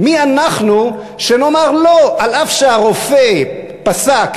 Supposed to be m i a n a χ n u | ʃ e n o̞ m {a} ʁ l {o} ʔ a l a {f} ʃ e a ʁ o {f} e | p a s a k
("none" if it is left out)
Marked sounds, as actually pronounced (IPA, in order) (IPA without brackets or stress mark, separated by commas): a, o, f, f